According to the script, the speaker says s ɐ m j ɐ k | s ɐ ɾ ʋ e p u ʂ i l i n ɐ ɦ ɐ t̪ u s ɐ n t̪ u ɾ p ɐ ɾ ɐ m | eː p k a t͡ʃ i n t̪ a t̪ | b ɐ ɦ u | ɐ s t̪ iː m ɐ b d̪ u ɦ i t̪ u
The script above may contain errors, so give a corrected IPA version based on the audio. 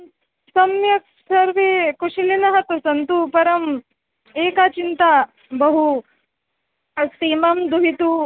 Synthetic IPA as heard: s ɐ m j ɐ k | s ɐ ɾ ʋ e k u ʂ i l i n ɐ ɦ ɐ t̪ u s ɐ n t̪ u p ɐ ɾ ɐ m | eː k a t͡ʃ i n t̪ a | b ɐ ɦ u | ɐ s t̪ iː m ɐ m d̪ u ɦ i t̪ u